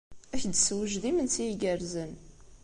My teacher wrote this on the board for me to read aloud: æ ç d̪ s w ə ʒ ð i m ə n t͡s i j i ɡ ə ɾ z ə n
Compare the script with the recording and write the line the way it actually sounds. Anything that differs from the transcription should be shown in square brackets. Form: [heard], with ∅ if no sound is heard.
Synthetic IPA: æ ç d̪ s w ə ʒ ð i m ə n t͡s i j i ɡ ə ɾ z ə n